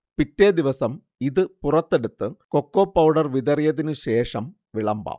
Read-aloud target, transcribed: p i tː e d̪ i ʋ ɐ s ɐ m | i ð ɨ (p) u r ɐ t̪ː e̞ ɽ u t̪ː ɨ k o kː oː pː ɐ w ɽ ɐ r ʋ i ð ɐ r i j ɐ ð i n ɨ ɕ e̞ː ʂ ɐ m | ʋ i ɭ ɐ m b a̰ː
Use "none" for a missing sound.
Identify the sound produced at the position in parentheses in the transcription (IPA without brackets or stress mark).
p